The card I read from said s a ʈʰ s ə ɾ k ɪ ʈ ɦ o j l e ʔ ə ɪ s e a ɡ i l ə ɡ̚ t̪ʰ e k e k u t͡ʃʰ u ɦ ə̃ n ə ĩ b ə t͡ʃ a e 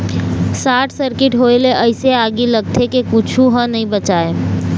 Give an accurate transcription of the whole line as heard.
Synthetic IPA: s a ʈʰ s ə ɾ k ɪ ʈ ɦ o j l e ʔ ə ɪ s e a ɡ i l ə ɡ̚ t̪ʰ e k e k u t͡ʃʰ u ɦ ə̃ n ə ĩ b ə t͡ʃ a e